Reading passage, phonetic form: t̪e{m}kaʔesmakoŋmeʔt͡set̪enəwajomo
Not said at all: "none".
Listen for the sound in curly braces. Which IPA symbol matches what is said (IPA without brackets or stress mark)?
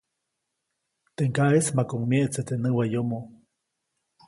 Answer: ŋ